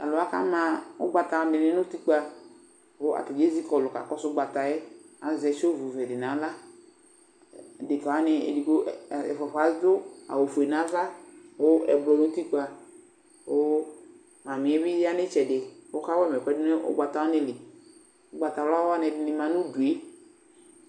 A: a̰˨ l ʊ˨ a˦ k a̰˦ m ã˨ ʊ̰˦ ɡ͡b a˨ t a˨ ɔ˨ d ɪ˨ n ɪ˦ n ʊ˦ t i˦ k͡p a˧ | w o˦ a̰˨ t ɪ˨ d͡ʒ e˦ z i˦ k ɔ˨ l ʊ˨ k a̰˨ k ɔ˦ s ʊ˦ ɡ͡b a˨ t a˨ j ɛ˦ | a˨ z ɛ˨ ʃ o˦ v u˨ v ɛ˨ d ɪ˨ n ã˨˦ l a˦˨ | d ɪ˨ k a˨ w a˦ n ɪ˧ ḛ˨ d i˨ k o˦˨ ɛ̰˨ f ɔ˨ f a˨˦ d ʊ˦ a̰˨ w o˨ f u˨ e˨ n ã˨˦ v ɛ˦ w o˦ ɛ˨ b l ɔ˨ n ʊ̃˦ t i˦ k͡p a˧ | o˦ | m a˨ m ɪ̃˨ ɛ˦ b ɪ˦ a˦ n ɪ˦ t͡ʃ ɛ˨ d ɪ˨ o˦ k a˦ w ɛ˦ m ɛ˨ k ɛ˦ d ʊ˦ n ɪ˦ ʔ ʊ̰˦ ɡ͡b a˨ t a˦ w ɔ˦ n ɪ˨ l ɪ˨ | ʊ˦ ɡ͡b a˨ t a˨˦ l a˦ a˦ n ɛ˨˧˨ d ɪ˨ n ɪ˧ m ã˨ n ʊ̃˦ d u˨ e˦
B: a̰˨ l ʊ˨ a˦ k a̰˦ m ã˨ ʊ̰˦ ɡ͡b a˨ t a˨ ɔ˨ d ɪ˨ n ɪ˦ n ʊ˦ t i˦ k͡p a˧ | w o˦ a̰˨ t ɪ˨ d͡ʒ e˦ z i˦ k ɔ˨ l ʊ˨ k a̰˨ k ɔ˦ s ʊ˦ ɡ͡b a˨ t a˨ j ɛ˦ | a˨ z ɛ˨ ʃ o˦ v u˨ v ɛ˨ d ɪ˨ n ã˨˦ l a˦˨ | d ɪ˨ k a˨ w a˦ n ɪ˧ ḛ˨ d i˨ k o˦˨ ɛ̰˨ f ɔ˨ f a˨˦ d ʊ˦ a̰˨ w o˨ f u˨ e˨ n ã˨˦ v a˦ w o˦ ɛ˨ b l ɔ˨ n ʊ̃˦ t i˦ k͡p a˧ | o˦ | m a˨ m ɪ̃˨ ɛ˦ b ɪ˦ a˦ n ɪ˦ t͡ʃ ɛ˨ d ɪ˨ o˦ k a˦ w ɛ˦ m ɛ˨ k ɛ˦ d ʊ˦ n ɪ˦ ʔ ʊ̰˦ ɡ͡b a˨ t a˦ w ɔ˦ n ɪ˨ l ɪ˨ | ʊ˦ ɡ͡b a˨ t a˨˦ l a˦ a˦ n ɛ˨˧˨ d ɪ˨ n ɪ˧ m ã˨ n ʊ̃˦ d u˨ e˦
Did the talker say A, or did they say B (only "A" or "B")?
B